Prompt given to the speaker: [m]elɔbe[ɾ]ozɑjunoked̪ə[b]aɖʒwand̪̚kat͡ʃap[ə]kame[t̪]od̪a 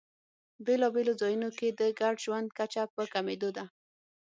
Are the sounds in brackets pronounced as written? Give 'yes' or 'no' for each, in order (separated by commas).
no, no, no, yes, no